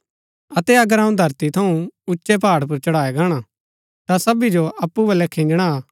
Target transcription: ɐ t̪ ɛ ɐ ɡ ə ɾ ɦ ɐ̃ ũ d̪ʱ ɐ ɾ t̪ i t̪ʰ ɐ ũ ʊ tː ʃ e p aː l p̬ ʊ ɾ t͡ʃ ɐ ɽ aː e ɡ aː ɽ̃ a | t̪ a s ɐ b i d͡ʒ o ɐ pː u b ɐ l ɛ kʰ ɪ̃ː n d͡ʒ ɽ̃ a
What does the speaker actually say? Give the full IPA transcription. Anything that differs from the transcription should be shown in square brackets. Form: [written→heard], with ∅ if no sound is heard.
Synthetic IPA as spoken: ɐ t̪ ɛ ɐ ɡ ə ɾ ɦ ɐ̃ ũ d̪ʱ ɐ ɾ t̪ i t̪ʰ ɐ ũ ʊ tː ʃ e p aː [l→ɽ] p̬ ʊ ɾ t͡ʃ ɐ ɽ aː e ɡ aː ɽ̃ a | t̪ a s ɐ b i d͡ʒ o ɐ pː u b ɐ l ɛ kʰ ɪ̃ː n d͡ʒ ɽ̃ a

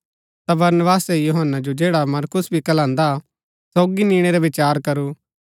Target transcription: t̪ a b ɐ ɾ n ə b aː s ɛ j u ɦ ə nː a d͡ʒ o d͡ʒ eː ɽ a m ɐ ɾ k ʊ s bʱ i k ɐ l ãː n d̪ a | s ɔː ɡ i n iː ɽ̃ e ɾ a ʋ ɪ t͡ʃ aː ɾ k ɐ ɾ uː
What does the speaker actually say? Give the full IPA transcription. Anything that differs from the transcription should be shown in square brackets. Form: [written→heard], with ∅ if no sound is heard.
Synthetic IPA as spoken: t̪ a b ɐ ɾ n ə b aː s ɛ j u ɦ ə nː a d͡ʒ o d͡ʒ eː ɽ a m ɐ ɾ k ʊ s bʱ i k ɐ l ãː n d̪ a | s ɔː ɡ i n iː ɽ̃ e ɾ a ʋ ɪ t͡ʃ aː ɾ k ɐ ɾ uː

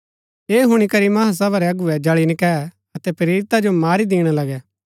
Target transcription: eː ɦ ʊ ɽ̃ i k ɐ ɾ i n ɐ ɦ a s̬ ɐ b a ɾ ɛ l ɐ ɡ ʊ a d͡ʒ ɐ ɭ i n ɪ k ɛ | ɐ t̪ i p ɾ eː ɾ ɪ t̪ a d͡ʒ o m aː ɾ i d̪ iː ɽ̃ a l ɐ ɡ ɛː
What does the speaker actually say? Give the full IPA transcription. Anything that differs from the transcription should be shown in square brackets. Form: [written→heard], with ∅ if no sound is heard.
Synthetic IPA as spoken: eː ɦ ʊ ɽ̃ i k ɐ ɾ i [n→m] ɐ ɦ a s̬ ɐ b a ɾ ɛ [l→∅] ɐ ɡ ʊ [a→ɛ] d͡ʒ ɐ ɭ i n ɪ k ɛ | ɐ t̪ [i→ɛ] p ɾ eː ɾ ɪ t̪ a d͡ʒ o m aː ɾ i d̪ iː ɽ̃ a l ɐ ɡ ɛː

